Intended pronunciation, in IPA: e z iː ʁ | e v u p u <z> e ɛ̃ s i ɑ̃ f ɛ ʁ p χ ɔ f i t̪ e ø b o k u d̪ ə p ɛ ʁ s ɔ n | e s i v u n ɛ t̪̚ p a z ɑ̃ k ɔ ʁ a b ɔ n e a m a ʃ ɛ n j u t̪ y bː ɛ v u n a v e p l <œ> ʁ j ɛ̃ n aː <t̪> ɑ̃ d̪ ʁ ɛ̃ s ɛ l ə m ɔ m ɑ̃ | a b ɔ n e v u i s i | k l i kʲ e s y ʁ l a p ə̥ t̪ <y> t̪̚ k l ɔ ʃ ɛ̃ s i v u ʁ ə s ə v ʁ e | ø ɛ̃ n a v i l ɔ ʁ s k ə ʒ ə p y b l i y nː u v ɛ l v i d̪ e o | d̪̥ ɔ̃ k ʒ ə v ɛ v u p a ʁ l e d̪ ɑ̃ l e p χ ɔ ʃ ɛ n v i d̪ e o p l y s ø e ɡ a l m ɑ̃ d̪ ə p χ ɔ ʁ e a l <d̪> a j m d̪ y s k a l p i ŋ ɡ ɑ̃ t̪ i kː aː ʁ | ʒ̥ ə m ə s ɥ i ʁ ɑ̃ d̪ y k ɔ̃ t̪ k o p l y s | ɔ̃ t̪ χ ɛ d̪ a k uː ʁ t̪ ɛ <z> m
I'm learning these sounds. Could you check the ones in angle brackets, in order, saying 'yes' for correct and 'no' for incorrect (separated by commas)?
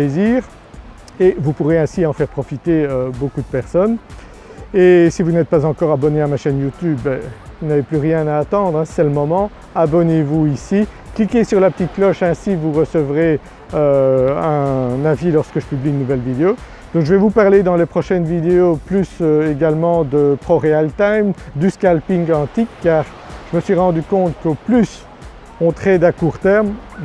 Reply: no, no, yes, no, no, no